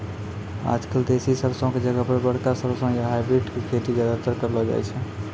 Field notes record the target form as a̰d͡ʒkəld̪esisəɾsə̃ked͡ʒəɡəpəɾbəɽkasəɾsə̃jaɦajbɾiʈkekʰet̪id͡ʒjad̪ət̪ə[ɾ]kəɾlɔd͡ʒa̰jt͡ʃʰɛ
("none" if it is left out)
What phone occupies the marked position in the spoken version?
ɾ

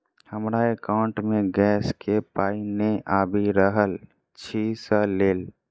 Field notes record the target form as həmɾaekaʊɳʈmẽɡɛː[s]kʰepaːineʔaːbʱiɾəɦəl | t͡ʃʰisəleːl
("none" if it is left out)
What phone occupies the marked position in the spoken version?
s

